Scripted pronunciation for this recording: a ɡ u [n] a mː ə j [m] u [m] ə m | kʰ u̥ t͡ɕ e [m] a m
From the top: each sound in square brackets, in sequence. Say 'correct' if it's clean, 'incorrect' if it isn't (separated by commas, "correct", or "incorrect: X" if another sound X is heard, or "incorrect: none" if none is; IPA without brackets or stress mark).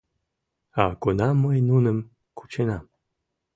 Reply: correct, incorrect: n, incorrect: n, incorrect: n